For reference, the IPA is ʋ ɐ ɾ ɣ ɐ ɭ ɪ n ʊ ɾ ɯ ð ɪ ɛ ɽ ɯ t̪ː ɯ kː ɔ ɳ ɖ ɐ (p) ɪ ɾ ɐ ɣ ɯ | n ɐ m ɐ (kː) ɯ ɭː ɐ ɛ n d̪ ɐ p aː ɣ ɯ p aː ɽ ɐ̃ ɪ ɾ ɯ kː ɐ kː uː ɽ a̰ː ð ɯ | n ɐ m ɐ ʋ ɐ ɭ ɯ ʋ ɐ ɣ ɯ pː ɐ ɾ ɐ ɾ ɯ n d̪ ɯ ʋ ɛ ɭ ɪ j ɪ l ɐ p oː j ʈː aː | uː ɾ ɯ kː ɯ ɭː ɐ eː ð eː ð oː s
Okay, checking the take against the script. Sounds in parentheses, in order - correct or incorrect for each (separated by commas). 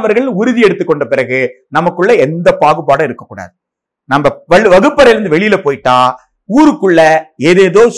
correct, correct